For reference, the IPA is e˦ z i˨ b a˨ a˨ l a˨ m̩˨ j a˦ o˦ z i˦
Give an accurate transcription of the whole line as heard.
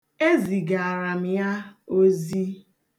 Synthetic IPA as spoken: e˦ z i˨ ɡ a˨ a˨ ɾ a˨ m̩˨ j a˦ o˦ z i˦